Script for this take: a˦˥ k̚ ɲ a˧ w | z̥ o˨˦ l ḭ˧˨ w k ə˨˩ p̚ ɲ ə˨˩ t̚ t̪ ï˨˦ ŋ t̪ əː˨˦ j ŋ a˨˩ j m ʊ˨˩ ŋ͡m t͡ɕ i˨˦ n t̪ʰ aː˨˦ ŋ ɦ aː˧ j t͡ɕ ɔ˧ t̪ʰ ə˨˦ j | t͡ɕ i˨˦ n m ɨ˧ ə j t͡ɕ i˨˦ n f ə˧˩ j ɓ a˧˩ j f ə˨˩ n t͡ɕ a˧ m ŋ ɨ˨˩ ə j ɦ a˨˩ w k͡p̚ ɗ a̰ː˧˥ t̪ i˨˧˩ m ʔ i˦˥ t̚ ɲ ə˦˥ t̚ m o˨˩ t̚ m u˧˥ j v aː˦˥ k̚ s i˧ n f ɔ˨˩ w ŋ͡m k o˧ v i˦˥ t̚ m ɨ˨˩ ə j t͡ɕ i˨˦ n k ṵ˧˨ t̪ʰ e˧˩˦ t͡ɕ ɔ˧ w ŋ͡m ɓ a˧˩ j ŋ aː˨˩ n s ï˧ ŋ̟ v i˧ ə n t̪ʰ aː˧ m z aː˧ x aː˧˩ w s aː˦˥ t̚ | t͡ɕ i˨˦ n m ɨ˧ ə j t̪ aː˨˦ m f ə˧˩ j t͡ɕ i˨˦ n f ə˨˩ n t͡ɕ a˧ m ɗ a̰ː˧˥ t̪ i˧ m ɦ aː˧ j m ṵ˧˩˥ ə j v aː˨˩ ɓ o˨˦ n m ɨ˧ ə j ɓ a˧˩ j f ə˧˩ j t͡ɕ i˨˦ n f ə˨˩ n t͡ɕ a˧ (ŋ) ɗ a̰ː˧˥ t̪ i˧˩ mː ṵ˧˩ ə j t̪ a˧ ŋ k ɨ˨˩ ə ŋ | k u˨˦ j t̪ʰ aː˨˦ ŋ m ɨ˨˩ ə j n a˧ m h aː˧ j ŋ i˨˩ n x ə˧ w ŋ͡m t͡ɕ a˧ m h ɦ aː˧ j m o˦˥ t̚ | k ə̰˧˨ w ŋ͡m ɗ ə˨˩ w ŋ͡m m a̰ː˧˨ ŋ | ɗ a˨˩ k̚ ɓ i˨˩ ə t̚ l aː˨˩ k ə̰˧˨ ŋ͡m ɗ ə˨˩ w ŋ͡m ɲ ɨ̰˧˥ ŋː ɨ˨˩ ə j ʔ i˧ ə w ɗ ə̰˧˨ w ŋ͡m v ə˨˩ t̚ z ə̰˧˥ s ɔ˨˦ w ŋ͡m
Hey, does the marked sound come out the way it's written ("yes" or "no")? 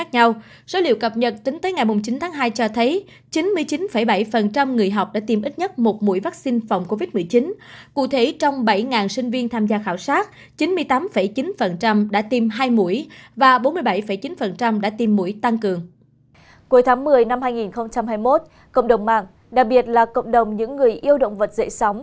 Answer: no